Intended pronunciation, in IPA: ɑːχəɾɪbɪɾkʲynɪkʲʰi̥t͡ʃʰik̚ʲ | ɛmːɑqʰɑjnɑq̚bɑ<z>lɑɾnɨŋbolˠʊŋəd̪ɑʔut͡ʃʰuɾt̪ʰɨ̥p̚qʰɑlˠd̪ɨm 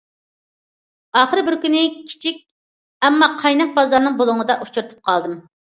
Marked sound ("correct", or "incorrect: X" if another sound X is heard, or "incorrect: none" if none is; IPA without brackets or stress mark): correct